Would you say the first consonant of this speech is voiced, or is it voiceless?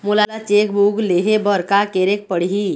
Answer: voiced